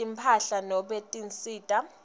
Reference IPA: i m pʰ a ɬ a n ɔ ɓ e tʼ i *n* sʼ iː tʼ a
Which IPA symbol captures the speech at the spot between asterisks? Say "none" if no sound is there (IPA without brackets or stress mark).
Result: n